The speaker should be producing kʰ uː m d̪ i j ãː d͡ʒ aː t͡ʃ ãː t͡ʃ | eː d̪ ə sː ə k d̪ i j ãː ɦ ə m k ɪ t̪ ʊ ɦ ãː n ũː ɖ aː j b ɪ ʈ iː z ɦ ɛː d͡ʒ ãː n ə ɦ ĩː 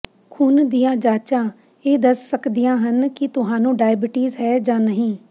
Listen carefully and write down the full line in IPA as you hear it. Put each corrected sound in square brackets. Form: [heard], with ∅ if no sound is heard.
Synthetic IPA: kʰ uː [n] d̪ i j ãː d͡ʒ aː t͡ʃ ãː [∅] | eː d̪ ə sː ə k d̪ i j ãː ɦ ə [n] k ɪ t̪ ʊ ɦ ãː n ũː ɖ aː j b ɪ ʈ iː z ɦ ɛː d͡ʒ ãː n ə ɦ ĩː